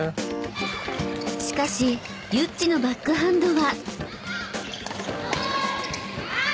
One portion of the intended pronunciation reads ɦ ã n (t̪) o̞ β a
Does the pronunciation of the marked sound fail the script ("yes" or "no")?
yes